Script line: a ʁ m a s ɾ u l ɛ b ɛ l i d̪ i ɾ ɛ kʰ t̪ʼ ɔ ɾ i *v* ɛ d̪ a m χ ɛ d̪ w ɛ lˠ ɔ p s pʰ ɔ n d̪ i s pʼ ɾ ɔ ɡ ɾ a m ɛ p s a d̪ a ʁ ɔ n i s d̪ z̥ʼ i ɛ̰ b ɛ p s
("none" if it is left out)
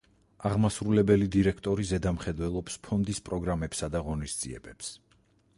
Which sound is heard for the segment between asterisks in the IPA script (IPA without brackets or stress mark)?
z